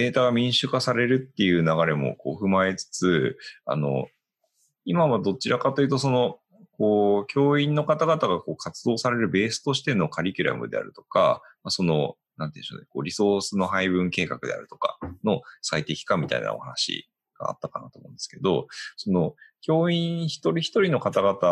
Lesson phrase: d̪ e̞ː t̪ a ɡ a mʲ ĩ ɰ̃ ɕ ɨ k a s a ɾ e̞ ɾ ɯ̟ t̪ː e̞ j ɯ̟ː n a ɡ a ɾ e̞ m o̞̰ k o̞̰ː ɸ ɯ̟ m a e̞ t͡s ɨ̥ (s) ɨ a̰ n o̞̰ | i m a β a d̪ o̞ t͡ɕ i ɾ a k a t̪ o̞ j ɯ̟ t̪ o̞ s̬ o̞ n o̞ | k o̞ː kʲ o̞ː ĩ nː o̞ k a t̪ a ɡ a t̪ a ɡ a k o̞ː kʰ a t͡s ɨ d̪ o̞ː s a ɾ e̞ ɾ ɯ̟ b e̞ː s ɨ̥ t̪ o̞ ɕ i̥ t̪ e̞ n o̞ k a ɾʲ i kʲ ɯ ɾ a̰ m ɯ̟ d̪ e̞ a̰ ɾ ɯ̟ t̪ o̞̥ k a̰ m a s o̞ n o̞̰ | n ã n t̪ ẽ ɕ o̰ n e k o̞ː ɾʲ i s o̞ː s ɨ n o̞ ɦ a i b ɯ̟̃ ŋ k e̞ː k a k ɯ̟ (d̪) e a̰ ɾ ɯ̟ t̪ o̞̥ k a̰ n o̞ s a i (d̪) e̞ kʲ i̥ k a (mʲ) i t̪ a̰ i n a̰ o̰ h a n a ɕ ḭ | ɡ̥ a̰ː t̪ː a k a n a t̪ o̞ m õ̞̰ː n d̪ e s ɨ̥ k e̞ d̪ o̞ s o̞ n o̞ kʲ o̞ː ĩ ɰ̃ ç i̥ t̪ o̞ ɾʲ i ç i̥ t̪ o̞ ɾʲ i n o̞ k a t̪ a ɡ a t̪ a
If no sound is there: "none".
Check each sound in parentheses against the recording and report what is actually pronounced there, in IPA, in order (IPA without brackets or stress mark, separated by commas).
t͡s, d̪, t̪, mʲ